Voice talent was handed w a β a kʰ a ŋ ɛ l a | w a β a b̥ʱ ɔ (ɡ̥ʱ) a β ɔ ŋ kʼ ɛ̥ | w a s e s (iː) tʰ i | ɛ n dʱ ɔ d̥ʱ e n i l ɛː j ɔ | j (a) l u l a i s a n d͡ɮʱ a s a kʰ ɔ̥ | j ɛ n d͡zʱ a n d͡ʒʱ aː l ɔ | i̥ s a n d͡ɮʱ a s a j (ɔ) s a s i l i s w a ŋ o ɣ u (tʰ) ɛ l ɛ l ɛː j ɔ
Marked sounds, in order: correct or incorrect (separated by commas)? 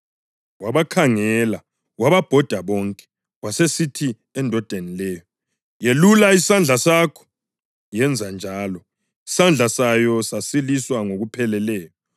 incorrect, incorrect, incorrect, correct, incorrect